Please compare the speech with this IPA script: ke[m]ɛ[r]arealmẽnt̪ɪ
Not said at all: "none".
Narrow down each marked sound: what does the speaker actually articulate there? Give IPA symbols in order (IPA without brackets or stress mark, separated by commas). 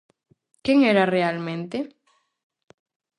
ŋ, ɾ